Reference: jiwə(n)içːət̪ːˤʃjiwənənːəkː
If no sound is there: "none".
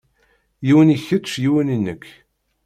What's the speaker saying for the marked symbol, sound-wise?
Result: n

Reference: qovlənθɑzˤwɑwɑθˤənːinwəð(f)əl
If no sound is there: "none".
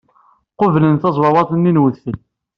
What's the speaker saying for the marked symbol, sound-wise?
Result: θ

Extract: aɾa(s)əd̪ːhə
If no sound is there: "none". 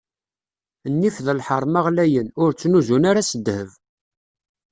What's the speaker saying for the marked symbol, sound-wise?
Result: s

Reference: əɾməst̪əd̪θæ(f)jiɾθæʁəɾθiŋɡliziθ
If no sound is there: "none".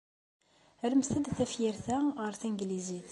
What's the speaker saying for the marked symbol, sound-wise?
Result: f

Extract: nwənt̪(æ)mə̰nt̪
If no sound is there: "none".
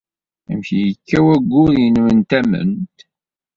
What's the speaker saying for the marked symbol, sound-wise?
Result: æ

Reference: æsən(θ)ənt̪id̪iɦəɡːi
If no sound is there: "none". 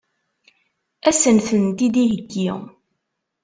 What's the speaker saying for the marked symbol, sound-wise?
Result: θ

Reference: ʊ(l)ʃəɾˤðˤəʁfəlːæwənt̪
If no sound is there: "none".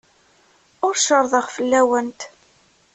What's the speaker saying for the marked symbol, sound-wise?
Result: ɾ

